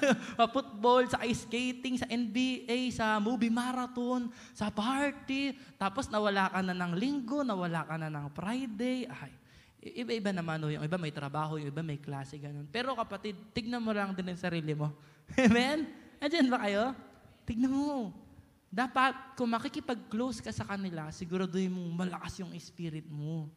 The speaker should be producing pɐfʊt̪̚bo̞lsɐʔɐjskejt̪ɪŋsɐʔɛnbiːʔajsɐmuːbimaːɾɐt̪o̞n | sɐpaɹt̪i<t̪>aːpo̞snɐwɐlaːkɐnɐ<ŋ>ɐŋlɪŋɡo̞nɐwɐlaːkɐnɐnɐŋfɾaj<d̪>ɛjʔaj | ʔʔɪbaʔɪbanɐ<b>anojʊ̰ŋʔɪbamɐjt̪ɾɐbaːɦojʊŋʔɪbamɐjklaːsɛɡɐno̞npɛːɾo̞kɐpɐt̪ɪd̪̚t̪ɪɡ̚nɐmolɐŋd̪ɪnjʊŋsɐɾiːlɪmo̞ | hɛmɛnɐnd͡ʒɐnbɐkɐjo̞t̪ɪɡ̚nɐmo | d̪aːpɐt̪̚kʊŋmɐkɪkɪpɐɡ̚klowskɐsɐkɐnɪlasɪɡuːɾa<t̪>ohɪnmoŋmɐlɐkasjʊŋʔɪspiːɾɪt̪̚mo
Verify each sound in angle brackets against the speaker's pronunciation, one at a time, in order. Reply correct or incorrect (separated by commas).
correct, incorrect, correct, incorrect, incorrect